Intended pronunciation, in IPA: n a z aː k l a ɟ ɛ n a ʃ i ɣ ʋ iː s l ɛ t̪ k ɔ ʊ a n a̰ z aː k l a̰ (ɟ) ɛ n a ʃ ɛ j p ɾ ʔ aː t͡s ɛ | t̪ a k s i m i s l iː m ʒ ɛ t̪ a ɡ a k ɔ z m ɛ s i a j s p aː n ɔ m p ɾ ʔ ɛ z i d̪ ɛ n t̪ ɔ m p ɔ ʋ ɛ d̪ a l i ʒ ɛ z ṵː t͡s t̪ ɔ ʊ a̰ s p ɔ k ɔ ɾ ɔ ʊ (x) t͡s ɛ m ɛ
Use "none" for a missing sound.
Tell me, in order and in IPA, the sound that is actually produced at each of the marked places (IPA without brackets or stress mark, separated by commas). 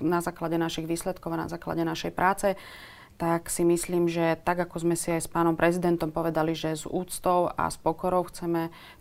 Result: ɟ, x